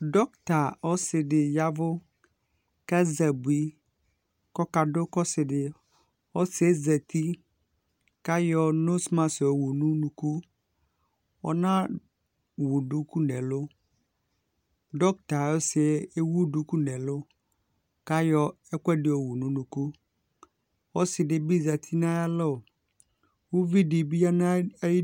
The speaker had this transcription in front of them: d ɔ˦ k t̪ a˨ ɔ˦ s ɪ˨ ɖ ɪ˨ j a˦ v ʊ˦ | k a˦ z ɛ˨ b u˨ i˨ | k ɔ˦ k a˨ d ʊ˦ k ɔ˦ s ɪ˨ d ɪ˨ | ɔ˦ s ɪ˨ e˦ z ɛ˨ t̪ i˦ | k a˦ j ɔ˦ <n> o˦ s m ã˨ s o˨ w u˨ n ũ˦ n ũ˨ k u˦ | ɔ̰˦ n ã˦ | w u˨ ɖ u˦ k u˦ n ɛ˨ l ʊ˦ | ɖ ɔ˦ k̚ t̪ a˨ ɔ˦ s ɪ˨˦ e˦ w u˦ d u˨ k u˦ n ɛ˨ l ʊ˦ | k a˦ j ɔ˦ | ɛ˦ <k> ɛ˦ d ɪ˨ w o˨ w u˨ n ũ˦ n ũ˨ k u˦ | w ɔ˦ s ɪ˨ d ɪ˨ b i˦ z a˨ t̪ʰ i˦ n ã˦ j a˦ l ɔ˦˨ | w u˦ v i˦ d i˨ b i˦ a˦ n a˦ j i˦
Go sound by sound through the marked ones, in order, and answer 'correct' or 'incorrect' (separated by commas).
correct, correct